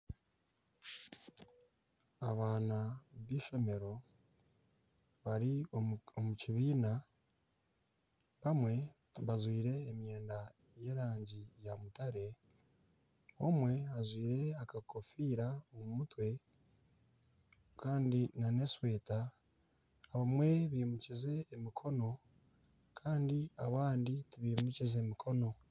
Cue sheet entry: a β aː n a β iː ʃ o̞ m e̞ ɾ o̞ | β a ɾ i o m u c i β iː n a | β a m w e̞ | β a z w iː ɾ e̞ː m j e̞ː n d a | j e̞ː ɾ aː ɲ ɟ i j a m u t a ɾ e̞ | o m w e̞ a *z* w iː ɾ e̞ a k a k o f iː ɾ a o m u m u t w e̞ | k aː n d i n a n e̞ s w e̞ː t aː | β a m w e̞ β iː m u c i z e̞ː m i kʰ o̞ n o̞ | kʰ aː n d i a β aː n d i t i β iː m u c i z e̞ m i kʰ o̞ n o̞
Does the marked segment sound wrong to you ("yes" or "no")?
no